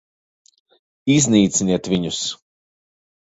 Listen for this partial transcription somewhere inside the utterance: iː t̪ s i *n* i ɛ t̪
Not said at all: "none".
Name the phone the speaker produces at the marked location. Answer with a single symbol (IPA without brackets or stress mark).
n